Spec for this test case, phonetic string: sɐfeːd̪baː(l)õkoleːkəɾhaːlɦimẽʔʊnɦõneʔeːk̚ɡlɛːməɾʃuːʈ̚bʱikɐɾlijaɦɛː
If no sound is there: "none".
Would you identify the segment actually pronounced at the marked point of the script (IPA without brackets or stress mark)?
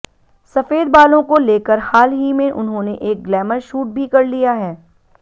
l